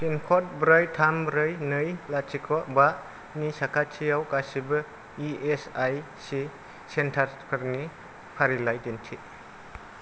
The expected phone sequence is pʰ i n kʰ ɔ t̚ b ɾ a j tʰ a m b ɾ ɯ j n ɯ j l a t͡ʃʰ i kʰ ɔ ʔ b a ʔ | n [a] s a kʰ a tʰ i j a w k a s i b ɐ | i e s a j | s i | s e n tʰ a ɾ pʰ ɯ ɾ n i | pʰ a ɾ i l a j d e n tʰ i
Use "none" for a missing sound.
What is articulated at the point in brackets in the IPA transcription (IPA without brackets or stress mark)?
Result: i